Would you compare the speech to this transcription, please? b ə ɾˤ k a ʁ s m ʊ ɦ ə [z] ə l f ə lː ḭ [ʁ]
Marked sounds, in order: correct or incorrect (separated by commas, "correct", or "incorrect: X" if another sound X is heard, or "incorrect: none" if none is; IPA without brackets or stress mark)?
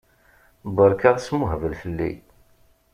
incorrect: v, incorrect: none